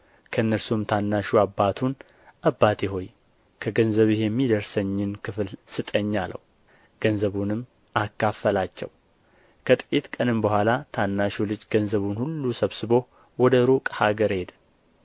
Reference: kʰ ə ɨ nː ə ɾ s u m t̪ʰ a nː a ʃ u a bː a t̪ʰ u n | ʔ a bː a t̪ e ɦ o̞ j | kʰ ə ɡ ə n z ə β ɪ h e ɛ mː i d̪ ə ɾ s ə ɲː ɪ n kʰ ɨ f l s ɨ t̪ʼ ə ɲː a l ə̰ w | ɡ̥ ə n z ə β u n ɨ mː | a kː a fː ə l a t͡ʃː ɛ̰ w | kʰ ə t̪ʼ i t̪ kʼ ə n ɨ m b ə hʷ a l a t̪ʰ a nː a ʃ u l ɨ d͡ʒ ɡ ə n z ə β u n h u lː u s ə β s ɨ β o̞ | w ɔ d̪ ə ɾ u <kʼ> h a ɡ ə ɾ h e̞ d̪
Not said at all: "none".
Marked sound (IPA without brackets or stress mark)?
kʼ